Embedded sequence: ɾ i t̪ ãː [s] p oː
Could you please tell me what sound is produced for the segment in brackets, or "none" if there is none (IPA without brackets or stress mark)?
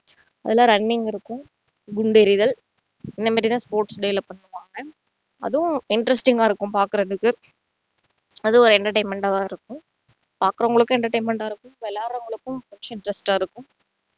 s